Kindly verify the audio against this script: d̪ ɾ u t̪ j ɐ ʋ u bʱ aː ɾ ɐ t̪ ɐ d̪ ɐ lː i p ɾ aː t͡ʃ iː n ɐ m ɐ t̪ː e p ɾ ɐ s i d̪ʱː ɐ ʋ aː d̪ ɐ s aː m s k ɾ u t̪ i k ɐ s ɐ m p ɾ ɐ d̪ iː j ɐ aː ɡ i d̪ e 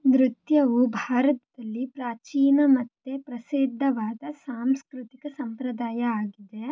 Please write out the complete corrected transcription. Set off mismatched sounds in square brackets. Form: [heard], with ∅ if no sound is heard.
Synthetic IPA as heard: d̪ ɾ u t̪ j ɐ ʋ u bʱ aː ɾ ɐ t̪ ɐ d̪ ɐ lː i p ɾ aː t͡ʃ iː n ɐ m ɐ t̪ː e p ɾ ɐ s i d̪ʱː ɐ ʋ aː d̪ ɐ s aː m s k ɾ u t̪ i k ɐ s ɐ m p ɾ ɐ d̪ [aː] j ɐ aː ɡ i d̪ e